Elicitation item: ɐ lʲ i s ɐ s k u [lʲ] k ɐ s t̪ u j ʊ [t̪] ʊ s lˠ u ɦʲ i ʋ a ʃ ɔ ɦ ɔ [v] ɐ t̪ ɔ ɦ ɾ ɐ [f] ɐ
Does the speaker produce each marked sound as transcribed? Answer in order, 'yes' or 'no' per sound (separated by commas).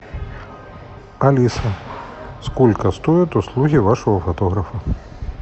yes, yes, no, yes